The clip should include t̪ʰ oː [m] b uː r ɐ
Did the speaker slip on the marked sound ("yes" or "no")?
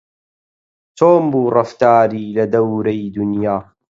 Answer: no